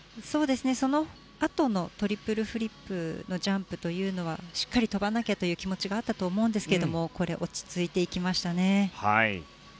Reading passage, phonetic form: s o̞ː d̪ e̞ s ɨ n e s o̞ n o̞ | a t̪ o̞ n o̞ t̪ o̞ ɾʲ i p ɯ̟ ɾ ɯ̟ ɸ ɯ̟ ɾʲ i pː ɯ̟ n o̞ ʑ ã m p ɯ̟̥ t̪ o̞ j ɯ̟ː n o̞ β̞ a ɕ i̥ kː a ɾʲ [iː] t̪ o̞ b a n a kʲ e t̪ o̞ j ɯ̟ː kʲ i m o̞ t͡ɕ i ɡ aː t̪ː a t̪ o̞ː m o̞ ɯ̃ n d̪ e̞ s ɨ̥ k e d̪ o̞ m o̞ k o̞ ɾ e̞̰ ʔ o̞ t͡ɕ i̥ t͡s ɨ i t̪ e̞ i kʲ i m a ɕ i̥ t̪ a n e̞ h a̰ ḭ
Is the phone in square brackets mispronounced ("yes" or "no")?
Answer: yes